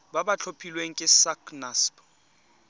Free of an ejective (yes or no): no